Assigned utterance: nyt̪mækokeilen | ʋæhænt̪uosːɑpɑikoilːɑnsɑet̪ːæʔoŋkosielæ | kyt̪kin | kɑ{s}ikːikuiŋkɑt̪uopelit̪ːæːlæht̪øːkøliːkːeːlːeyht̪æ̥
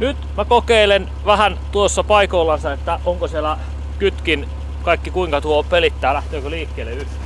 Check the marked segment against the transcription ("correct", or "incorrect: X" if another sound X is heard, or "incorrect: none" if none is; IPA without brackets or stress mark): incorrect: none